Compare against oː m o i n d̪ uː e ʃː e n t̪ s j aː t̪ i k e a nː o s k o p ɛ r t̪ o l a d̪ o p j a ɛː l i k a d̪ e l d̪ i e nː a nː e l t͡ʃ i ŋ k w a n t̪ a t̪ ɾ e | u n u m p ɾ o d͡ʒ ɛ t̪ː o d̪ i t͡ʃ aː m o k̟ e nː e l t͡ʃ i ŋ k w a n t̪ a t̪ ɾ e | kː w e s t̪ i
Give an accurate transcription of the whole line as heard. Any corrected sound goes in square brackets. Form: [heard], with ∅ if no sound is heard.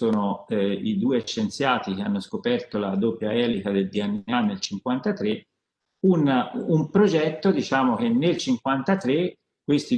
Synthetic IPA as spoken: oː [n] o i [∅] d̪ uː e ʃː e n t̪ s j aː t̪ i k e a nː o s k o p ɛ r t̪ o l a d̪ o p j a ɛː l i k a d̪ e l d̪ i [a] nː a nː e l t͡ʃ i ŋ k w a n t̪ a t̪ ɾ e | u n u m p ɾ o d͡ʒ ɛ t̪ː o d̪ i t͡ʃ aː m o k̟ e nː e l t͡ʃ i ŋ k w a n t̪ a t̪ ɾ e | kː w e s t̪ i